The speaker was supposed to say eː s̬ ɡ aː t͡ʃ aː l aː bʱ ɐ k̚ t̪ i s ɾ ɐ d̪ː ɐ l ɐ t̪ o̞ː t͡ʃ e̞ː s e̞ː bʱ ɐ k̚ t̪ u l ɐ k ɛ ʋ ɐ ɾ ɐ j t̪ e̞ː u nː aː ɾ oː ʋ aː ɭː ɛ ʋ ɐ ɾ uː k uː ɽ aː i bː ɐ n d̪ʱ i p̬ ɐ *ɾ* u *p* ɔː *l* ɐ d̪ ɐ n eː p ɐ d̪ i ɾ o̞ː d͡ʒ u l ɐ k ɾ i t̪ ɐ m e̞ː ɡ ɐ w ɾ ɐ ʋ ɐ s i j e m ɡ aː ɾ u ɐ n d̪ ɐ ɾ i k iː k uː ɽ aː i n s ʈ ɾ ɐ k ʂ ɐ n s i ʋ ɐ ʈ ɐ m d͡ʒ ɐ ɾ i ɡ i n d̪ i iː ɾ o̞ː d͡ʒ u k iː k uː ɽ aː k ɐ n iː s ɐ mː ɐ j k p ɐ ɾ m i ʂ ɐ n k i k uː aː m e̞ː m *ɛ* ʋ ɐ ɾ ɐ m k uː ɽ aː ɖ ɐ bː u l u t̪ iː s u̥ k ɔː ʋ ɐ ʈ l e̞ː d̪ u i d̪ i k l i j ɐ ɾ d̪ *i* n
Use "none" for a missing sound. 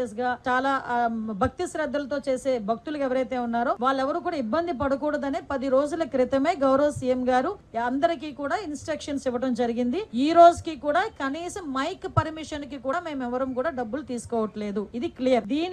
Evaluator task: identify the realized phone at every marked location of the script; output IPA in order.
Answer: ɽ, k, ɽ, ɛ, iː

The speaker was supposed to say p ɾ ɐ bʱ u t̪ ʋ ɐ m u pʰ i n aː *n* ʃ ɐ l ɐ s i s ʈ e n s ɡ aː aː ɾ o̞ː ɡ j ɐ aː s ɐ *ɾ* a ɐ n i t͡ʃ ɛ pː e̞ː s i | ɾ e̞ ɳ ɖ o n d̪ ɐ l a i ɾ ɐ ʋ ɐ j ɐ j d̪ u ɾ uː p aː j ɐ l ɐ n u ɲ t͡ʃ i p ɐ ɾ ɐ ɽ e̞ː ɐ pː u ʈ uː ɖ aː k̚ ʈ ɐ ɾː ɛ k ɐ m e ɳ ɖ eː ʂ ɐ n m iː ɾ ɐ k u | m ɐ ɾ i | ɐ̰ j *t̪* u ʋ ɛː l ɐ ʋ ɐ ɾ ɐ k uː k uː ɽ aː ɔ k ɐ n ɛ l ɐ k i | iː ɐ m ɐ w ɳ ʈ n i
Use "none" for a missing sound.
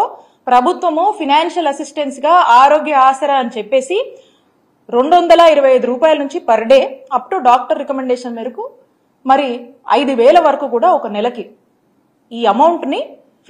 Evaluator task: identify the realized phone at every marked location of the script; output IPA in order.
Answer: n, ɾ, d̪

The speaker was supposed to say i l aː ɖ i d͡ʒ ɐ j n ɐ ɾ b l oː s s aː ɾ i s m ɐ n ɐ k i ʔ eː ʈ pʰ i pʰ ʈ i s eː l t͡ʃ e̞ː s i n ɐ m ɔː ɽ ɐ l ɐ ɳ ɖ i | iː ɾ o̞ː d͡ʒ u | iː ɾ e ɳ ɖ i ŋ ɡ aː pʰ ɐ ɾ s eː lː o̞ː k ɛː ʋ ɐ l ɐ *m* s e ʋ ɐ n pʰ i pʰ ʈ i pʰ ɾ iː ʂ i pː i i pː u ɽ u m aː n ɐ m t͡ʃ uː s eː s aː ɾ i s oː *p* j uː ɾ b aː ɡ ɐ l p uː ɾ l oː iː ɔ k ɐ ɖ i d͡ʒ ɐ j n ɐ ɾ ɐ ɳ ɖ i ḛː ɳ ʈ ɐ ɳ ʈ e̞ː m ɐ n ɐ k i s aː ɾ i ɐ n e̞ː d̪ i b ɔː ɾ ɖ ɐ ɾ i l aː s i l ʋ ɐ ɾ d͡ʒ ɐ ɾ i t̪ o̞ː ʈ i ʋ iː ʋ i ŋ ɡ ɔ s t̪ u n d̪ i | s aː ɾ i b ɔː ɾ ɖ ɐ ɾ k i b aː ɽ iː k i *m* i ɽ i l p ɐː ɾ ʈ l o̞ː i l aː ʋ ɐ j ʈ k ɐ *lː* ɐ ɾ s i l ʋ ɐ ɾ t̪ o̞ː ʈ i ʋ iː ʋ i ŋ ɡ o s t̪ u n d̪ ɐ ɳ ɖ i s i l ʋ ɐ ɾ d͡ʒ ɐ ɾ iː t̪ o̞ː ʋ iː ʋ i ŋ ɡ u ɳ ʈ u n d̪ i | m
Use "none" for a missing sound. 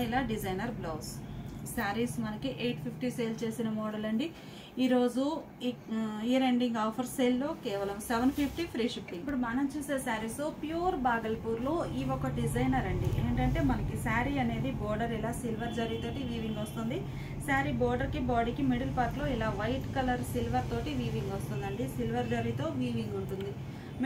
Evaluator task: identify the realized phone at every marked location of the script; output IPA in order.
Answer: m, p, m, l

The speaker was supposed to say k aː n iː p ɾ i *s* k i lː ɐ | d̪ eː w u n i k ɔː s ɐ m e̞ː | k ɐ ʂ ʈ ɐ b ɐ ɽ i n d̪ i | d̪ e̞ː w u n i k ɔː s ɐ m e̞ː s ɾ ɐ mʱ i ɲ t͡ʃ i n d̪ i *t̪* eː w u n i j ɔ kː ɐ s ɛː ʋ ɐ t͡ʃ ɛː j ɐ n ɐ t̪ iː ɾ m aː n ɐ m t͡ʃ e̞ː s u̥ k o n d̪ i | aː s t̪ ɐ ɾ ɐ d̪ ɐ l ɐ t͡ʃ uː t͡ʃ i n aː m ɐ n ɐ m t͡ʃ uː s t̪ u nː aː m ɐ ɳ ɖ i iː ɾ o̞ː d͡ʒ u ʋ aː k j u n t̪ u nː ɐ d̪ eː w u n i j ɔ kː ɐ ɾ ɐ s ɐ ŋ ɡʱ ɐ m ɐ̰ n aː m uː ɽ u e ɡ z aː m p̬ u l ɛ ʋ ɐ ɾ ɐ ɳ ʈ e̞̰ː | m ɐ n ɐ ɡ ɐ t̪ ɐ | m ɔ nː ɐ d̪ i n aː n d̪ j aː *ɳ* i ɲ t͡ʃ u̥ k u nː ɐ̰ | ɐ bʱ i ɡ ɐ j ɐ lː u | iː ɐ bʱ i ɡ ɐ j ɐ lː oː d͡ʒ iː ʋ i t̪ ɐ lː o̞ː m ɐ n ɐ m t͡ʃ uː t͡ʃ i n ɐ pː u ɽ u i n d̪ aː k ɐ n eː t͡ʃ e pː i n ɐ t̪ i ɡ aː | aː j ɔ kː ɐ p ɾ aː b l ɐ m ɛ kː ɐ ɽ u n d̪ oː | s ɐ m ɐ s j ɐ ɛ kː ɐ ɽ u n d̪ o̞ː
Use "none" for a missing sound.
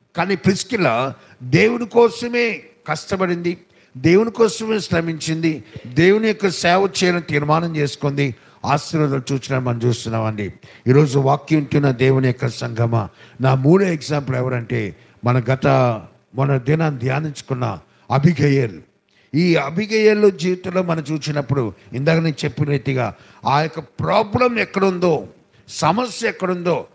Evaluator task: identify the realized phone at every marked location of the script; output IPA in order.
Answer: s, d̪, n

